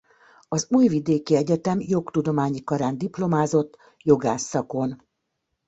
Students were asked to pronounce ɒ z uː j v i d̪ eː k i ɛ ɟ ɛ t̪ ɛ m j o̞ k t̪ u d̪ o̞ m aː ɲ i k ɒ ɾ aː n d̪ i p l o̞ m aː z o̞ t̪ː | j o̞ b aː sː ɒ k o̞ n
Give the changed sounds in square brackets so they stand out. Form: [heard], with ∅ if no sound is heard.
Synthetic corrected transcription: ɒ z uː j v i d̪ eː k i ɛ ɟ ɛ t̪ ɛ m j o̞ k t̪ u d̪ o̞ m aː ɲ i k ɒ ɾ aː n d̪ i p l o̞ m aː z o̞ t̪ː | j o̞ [ɡ] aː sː ɒ k o̞ n

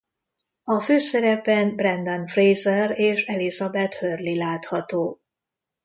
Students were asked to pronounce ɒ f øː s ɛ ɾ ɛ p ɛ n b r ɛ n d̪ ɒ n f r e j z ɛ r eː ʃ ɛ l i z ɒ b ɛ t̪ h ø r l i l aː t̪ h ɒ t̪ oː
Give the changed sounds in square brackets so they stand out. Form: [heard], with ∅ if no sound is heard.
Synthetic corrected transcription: ɒ f øː s ɛ ɾ ɛ p ɛ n b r ɛ n d̪ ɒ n f r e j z ɛ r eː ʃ ɛ l i z ɒ b ɛ t̪ h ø r l i l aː t̪ h ɒ t̪ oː

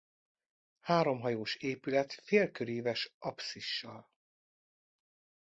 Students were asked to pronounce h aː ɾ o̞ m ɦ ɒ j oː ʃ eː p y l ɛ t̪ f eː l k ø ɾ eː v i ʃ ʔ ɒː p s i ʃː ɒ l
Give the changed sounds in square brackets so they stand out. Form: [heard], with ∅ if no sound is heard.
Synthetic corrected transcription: h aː ɾ o̞ m ɦ ɒ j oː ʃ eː p y l ɛ t̪ f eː l k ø ɾ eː v [ɛ] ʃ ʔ [ɒ] p s i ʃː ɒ l

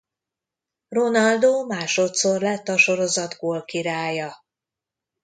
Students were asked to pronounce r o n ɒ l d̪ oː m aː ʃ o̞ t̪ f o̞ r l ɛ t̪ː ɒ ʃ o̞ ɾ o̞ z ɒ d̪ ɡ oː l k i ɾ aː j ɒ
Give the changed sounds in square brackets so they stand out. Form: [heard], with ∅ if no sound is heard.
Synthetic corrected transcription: r o n ɒ l d̪ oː m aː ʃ o̞ t̪ [s] o̞ r l ɛ t̪ː ɒ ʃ o̞ ɾ o̞ z ɒ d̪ ɡ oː l k i ɾ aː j ɒ

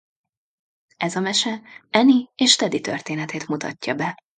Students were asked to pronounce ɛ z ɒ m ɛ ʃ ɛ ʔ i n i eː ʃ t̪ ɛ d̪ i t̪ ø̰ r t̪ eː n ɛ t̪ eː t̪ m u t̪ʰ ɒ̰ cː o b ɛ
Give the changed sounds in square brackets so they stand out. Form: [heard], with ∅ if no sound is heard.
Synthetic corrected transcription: ɛ z ɒ m ɛ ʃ ɛ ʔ [ɛ] n i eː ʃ t̪ ɛ d̪ i t̪ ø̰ r t̪ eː n ɛ t̪ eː t̪ m u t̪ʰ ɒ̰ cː [ɒ] b ɛ

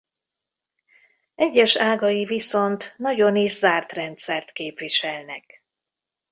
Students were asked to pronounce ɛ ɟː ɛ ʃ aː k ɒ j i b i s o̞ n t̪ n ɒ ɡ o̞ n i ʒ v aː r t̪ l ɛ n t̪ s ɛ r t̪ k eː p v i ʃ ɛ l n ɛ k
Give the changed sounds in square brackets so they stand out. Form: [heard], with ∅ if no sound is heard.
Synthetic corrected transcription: ɛ ɟː ɛ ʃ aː [ɡ] ɒ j i [v] i s o̞ n t̪ n ɒ [ɟ] o̞ n i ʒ [z] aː r t̪ [r] ɛ n t̪ s ɛ r t̪ k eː p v i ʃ ɛ l n ɛ k

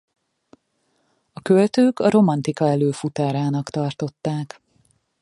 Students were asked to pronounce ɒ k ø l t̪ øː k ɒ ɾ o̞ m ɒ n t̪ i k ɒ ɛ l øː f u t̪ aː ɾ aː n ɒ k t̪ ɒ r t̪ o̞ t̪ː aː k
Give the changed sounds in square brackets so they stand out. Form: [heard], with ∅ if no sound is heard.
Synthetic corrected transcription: ɒ k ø l t̪ øː k ɒ ɾ o̞ m ɒ n t̪ i k ɒ ɛ l øː f u t̪ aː ɾ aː n ɒ k t̪ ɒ r t̪ o̞ t̪ː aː k

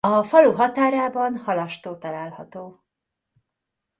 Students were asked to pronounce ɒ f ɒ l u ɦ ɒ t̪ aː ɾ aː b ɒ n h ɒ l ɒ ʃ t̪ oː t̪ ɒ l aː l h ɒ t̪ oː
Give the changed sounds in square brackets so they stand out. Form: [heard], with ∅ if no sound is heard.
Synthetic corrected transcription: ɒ f ɒ l u ɦ ɒ t̪ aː ɾ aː b ɒ n h ɒ l ɒ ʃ t̪ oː t̪ ɒ l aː l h ɒ t̪ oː

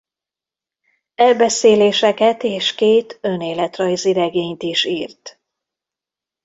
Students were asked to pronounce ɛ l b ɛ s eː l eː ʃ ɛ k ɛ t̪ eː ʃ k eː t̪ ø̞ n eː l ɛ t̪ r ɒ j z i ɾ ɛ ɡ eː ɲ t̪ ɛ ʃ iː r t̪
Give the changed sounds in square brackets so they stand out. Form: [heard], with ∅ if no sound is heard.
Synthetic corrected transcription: ɛ l b ɛ s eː l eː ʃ ɛ k ɛ t̪ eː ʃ k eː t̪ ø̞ n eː l ɛ t̪ r ɒ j z i ɾ ɛ ɡ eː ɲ t̪ [i] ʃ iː r t̪

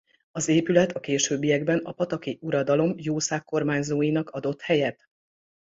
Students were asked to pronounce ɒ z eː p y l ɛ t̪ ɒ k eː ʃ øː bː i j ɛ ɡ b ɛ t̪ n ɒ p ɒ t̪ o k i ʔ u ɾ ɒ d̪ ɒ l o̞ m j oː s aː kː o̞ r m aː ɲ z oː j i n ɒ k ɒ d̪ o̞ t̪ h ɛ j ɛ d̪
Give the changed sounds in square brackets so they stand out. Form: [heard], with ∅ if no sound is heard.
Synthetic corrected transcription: ɒ z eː p y l ɛ t̪ ɒ k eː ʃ øː bː i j ɛ ɡ b ɛ [∅] n ɒ p ɒ t̪ [ɒ] k i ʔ u ɾ ɒ d̪ ɒ l o̞ m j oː s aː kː o̞ r m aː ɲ z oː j i n ɒ k ɒ d̪ o̞ t̪ h ɛ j ɛ [t̪]

